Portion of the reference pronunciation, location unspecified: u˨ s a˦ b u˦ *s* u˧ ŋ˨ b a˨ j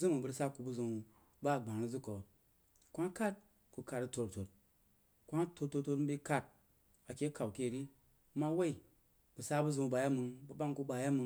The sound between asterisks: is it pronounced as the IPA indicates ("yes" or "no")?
no